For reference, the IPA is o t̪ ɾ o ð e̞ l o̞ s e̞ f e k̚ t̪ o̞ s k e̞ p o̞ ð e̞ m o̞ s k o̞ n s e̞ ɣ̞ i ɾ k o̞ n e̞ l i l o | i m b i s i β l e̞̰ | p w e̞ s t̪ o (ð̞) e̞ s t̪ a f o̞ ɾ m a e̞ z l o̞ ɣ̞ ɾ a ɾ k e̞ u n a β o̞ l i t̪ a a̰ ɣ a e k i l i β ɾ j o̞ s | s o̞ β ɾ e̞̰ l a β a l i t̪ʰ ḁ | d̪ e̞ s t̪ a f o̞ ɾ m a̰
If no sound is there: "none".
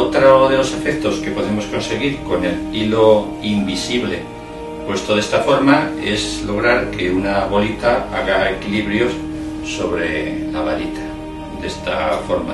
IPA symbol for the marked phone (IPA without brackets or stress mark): ð̞